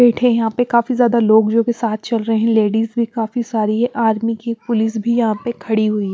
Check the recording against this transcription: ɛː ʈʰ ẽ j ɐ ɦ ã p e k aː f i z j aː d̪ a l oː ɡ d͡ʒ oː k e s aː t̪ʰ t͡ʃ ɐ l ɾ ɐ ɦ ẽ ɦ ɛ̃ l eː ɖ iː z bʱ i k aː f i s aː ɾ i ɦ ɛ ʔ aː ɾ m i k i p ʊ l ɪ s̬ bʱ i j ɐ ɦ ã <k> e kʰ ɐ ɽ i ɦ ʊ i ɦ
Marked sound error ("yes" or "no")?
yes